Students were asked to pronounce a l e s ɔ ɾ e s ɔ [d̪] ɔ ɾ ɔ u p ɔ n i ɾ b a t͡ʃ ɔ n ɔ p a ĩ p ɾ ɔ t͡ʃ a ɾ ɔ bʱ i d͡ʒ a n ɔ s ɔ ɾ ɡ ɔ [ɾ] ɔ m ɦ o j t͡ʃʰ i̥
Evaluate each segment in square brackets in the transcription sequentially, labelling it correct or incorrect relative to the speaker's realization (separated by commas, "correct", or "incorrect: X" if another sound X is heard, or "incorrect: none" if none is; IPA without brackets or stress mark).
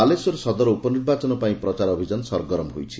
correct, correct